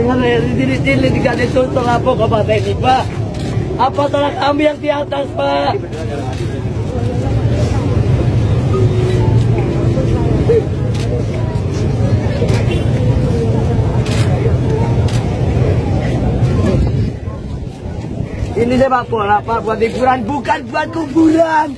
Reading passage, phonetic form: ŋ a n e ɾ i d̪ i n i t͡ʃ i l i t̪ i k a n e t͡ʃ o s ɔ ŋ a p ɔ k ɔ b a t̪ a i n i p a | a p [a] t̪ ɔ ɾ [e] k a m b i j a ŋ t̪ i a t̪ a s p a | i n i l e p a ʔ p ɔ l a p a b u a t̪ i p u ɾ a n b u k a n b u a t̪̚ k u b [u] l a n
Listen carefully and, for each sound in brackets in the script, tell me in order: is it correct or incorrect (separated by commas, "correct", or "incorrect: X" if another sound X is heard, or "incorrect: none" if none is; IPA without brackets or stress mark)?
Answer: correct, incorrect: a, correct